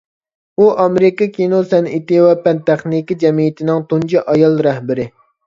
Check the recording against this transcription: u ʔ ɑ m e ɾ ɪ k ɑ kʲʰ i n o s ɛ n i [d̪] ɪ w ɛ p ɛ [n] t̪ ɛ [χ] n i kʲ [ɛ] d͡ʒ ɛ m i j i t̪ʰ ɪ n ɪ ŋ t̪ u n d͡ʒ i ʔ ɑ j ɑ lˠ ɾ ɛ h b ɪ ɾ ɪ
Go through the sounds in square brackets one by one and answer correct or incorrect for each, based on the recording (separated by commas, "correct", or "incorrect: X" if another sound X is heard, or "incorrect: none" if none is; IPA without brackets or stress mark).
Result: incorrect: t̪, correct, correct, incorrect: i